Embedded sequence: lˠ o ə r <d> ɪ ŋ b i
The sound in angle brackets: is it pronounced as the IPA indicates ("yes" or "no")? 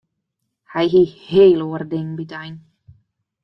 yes